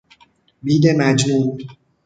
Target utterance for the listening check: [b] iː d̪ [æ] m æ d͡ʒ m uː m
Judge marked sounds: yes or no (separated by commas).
yes, no